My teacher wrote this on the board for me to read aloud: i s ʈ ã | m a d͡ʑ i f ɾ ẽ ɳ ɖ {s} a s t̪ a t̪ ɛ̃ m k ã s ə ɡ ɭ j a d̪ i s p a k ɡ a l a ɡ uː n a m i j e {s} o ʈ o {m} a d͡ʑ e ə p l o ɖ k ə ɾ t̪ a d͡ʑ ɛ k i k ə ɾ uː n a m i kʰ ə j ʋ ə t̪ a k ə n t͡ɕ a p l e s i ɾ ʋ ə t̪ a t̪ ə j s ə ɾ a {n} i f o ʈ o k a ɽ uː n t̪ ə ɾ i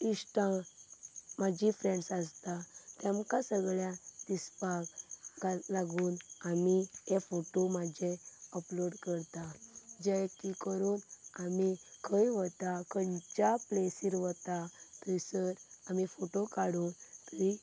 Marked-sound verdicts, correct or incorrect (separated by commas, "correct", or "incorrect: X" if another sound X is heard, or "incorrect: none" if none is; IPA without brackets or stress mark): correct, incorrect: f, correct, incorrect: m